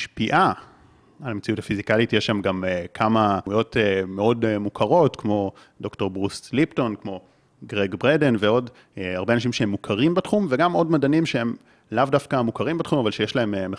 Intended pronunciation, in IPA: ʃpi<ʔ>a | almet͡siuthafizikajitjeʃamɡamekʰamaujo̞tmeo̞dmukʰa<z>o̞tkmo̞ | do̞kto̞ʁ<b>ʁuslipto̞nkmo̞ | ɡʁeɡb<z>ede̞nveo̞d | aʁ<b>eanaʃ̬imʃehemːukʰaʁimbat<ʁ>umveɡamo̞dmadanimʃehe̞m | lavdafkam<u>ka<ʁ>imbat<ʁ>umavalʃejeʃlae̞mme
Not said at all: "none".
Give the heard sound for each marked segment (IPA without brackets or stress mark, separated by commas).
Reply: ʔ, ʁ, b, ʁ, b, χ, u, ʁ, χ